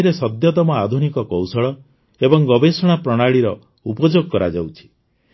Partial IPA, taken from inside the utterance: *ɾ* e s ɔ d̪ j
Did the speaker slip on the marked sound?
no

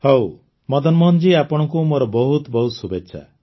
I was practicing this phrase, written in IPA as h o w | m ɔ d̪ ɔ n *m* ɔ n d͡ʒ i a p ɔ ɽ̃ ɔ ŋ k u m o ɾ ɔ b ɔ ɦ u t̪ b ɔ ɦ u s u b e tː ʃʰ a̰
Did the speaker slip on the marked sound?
no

